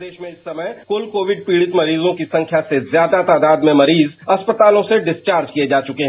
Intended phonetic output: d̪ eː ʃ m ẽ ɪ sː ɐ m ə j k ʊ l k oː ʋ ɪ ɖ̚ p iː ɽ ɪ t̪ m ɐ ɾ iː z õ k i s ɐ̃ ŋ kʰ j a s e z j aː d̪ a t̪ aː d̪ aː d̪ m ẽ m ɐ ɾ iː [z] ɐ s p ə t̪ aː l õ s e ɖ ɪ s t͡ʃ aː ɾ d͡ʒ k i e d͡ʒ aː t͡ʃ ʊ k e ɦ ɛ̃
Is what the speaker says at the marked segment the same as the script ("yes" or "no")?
yes